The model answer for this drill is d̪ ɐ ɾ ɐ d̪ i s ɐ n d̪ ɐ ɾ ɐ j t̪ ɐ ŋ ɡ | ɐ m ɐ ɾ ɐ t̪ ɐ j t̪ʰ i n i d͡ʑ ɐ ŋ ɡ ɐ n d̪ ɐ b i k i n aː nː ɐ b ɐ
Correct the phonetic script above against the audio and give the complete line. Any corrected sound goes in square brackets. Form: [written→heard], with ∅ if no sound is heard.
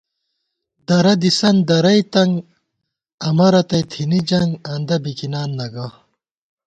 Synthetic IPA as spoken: d̪ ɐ ɾ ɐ d̪ i s ɐ n d̪ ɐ ɾ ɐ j t̪ ɐ ŋ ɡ | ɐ m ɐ ɾ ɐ t̪ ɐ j t̪ʰ i n i d͡ʑ ɐ ŋ ɡ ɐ n d̪ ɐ b i k i n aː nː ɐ [b→ɡ] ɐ